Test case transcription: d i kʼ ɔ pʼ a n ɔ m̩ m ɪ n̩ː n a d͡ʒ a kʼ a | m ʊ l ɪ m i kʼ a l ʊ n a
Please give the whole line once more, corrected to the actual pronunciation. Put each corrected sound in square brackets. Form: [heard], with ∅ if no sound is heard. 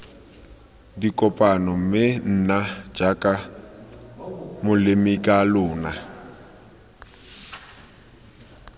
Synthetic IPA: d i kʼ ɔ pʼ a n ɔ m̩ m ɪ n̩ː n a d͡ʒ a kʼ a | m ʊ l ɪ m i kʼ a l [ʊː] n a